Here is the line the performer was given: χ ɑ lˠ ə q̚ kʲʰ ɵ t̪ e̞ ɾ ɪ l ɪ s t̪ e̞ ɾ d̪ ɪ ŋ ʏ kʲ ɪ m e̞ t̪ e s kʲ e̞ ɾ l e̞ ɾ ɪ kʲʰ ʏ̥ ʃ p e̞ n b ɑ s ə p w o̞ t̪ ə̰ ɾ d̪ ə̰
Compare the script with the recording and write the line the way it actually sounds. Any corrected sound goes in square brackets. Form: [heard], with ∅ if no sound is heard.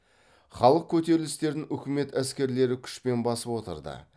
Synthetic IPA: χ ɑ lˠ ə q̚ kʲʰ ɵ t̪ e̞ ɾ ɪ l ɪ s t̪ e̞ ɾ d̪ ɪ ŋ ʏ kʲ ɪ m e̞ t̪ [æ] s kʲ e̞ ɾ l e̞ ɾ ɪ kʲʰ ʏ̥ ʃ p e̞ n b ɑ s ə p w o̞ t̪ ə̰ ɾ d̪ ə̰